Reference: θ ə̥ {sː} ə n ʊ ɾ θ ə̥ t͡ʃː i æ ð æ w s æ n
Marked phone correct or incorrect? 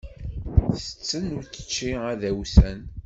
incorrect